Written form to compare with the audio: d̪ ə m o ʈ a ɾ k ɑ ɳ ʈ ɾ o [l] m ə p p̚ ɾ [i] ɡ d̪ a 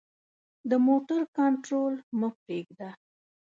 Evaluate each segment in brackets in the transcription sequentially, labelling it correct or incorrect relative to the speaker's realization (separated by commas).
correct, incorrect